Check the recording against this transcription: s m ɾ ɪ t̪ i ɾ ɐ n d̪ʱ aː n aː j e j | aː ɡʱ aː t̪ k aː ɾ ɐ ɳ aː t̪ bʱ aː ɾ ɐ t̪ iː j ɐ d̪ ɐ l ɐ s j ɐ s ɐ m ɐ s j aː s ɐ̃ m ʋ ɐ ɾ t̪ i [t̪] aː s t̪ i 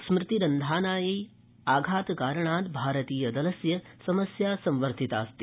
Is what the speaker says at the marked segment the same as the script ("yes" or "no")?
yes